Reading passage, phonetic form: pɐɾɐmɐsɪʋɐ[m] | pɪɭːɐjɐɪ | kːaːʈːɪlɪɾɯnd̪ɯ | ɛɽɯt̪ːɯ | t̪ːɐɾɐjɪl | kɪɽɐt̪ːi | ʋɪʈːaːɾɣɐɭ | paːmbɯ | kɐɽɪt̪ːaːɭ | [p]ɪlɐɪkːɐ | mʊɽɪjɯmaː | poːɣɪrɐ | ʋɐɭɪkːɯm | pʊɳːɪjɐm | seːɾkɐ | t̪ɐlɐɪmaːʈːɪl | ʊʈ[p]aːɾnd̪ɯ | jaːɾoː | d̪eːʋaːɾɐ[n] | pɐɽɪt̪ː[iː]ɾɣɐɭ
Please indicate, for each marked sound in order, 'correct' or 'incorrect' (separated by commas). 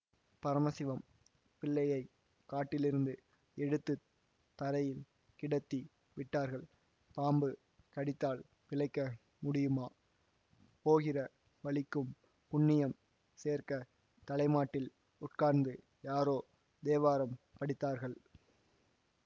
correct, correct, incorrect, incorrect, incorrect